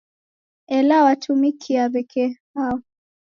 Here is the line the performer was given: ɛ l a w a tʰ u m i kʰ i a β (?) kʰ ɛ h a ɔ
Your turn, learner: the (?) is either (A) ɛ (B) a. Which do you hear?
A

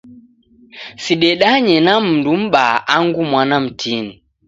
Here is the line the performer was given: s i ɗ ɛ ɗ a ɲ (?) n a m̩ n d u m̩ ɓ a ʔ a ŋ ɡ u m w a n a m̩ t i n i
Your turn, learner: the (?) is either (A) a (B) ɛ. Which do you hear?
B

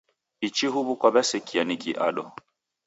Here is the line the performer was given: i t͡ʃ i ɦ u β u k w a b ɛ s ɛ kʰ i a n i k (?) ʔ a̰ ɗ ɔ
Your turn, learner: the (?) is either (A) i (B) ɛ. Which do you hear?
A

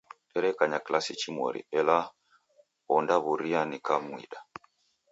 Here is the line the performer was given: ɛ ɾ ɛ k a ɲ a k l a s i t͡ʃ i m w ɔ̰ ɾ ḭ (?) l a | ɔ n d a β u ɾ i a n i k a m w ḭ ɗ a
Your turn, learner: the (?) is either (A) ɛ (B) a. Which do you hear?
A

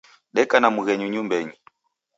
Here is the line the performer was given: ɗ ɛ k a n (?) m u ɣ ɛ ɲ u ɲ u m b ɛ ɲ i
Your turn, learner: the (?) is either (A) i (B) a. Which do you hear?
B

